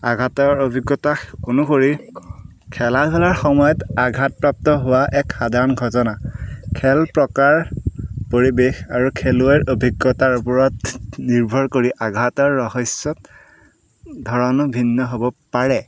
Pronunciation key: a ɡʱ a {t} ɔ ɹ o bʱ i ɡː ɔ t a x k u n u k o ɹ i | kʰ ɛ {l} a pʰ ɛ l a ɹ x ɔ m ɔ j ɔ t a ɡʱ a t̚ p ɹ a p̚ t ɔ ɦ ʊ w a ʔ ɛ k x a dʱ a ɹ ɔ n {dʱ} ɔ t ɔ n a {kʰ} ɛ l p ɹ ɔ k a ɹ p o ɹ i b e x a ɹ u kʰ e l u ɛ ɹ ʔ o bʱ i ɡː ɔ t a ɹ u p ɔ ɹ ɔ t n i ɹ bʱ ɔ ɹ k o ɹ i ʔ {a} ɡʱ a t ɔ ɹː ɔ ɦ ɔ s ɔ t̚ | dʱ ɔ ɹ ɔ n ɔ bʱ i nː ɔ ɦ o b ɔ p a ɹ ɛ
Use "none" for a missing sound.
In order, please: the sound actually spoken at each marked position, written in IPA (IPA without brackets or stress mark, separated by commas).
t, l, ɡʱ, kʰ, a